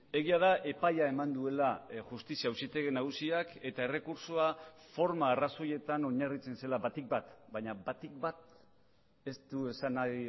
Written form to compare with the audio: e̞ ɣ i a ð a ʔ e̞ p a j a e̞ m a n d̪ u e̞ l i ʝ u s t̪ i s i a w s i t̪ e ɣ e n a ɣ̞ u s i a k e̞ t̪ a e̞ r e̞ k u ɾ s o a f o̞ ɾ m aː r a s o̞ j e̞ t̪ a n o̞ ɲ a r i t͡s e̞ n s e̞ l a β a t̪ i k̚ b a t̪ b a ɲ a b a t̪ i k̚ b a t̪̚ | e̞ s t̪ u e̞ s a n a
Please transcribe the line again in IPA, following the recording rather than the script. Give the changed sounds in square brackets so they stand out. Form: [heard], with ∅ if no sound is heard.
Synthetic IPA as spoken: e̞ ɣ i a ð a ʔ e̞ p a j a e̞ m a n d̪ u e̞ l [a] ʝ u s t̪ i s i a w s i t̪ e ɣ e n a ɣ̞ u s i a k e̞ t̪ a e̞ r e̞ k u ɾ s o a f o̞ ɾ m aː r a s o̞ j e̞ t̪ a n o̞ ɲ a r i t͡s e̞ n s e̞ l a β a t̪ i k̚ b a t̪ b a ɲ a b a t̪ i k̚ b a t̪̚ | e̞ s t̪ u e̞ s a n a